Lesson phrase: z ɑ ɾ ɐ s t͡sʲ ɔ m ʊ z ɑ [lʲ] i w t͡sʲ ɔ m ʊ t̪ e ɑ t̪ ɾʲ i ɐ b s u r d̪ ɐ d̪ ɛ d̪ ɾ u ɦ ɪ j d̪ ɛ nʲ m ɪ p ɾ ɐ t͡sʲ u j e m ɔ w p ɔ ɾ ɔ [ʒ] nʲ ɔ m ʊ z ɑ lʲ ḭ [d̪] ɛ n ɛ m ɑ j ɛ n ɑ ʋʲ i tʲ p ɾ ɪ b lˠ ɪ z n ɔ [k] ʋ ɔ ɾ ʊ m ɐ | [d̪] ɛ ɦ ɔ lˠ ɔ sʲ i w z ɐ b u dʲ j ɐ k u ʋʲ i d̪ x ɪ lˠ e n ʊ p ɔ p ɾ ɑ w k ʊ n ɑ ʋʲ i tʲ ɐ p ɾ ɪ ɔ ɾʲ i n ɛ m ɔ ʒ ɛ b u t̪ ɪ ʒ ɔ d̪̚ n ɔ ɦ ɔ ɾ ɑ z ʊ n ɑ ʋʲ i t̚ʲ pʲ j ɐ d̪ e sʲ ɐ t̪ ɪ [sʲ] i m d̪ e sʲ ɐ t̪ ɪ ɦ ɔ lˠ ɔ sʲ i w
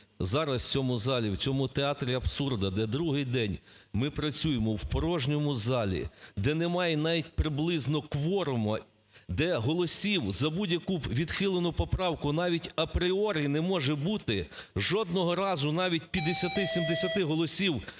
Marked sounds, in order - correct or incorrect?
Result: correct, correct, correct, correct, correct, correct

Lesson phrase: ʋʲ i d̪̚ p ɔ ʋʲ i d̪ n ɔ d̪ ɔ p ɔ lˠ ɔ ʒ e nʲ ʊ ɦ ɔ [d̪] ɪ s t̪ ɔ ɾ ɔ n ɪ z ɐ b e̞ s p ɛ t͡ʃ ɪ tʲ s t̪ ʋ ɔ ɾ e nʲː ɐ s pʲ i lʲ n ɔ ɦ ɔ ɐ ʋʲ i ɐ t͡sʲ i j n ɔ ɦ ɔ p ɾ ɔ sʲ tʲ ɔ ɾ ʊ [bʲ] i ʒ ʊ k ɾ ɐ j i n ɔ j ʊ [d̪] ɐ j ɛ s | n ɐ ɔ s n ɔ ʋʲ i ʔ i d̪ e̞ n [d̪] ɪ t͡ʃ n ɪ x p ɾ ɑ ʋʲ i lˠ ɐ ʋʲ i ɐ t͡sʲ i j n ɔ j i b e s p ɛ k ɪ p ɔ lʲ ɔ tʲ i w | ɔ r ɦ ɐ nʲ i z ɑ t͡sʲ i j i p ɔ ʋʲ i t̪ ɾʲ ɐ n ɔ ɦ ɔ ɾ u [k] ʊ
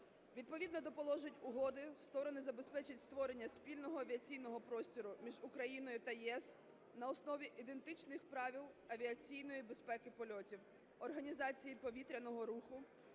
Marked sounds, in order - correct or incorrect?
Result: correct, incorrect: mʲ, incorrect: t̪, incorrect: t̪, incorrect: x

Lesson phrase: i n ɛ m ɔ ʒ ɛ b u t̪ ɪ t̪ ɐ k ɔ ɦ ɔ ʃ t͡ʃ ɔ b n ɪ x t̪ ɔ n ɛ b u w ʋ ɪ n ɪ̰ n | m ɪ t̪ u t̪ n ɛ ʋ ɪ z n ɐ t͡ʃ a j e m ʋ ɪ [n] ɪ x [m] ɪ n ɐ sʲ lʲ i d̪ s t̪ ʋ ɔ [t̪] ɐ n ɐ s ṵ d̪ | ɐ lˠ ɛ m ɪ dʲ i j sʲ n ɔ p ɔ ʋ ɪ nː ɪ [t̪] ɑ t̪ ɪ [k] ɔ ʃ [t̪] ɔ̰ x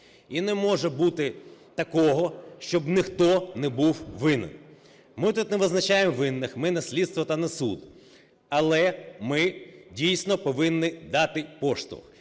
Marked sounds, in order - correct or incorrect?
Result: incorrect: nː, correct, correct, incorrect: d̪, incorrect: p, correct

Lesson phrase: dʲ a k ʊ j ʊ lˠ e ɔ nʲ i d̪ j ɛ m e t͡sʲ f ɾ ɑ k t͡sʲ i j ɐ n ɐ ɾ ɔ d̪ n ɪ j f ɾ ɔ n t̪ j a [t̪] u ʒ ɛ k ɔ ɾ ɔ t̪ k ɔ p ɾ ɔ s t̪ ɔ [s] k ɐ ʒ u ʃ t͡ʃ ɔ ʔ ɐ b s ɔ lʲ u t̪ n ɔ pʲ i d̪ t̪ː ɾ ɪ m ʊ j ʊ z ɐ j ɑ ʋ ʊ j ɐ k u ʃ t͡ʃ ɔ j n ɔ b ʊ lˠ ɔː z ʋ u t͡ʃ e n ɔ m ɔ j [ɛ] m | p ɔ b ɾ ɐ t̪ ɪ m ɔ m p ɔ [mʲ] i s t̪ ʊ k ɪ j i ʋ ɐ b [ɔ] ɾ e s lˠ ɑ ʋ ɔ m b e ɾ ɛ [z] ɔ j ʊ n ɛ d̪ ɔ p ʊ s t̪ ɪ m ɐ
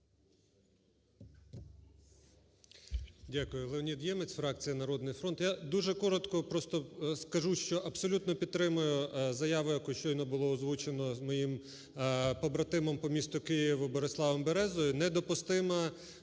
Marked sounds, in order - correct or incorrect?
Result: incorrect: d̪, correct, incorrect: i, correct, correct, correct

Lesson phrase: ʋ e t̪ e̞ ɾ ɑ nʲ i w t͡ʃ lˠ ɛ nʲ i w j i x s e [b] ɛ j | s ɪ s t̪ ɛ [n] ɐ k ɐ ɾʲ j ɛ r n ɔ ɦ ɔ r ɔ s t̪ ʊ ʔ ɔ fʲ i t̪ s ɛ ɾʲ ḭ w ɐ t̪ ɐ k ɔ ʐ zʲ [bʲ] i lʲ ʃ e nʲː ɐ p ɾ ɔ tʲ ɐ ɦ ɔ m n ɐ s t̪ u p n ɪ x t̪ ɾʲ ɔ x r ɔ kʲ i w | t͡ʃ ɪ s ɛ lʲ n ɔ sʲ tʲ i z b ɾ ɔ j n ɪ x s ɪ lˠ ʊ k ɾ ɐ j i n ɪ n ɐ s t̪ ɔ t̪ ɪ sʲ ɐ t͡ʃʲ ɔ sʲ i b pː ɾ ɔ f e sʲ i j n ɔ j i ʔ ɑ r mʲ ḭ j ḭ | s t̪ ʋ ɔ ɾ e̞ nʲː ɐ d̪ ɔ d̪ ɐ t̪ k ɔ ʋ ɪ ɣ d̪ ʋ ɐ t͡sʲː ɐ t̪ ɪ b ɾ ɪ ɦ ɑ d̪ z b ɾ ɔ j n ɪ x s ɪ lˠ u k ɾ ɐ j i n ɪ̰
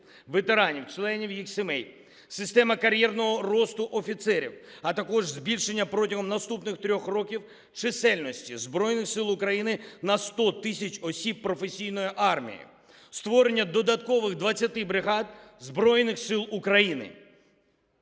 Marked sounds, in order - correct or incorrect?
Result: incorrect: m, incorrect: m, correct

